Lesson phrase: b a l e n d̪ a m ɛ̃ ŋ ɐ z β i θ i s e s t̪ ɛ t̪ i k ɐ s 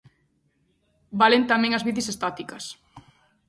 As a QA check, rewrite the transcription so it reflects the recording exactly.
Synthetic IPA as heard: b a l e n t̪ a m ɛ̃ ŋ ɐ z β i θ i s e s t̪ a t̪ i k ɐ s